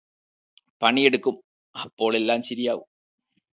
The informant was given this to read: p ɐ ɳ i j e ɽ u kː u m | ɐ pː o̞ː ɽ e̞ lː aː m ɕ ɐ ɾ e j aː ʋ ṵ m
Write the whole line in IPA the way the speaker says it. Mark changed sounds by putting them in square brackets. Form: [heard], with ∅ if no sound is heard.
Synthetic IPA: p ɐ ɳ i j e ɽ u kː u m | ɐ pː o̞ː [ɭ] e̞ lː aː m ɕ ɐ ɾ [i] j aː ʋ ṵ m